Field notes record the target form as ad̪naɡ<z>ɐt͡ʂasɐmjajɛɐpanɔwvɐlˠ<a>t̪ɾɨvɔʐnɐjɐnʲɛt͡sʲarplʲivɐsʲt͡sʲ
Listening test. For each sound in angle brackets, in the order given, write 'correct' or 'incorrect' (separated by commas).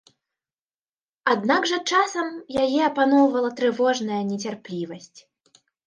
incorrect, incorrect